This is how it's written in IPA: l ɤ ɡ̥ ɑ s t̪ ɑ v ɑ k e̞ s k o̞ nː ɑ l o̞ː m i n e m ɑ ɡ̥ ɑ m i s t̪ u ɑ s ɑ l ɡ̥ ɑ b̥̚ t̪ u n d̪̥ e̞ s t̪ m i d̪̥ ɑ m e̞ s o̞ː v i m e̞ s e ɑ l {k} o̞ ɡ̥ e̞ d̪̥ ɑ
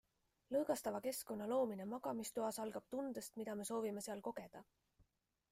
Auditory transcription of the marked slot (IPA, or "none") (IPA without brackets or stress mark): k